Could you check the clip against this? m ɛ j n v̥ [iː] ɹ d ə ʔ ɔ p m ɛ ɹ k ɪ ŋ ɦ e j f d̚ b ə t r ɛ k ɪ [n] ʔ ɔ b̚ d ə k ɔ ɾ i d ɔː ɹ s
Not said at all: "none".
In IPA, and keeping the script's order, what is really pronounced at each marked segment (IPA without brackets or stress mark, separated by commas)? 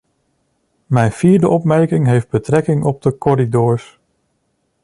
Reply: iː, ŋ